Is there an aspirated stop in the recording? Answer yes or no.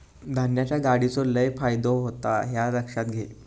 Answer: no